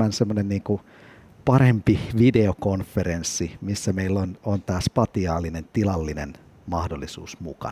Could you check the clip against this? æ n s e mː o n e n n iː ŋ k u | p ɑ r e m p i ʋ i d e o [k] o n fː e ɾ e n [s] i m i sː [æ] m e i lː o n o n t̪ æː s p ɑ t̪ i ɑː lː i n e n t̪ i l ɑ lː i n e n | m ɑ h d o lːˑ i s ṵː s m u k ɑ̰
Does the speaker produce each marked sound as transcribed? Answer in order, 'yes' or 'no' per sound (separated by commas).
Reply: yes, no, yes